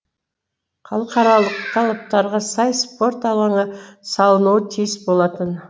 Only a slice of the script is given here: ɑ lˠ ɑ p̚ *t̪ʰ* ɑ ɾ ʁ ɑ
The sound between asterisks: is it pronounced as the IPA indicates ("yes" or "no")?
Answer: no